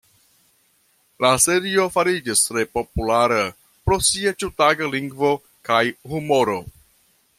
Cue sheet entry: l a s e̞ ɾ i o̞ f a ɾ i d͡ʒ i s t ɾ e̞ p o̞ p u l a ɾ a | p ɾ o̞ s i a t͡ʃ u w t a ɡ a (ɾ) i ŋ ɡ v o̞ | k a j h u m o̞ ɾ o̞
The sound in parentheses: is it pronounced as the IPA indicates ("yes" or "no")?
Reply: no